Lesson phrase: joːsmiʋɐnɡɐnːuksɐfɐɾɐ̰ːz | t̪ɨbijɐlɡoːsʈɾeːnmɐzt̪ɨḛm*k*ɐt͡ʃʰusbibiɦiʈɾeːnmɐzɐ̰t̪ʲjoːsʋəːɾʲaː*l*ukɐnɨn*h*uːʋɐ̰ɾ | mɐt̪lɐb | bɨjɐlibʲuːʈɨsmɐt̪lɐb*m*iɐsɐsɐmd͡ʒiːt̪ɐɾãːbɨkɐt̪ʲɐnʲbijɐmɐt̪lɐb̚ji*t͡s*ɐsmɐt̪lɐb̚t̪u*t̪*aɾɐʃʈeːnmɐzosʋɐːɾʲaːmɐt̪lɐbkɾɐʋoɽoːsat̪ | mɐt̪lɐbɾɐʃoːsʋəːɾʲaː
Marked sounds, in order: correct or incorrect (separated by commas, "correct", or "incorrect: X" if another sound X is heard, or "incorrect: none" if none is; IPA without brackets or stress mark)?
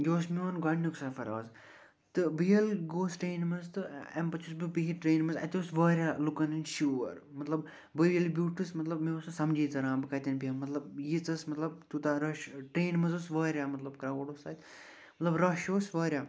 incorrect: p, correct, incorrect: ʃ, correct, correct, correct